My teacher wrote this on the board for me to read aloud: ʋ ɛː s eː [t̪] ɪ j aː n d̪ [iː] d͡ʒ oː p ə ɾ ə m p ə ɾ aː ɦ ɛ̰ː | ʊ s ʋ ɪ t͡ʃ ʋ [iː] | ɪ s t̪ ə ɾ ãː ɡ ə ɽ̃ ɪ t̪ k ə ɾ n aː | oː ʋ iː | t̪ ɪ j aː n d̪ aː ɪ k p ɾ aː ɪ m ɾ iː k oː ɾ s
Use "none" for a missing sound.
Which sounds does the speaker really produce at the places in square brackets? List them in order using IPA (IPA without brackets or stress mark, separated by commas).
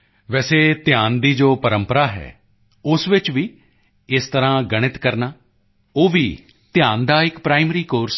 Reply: t̪, iː, iː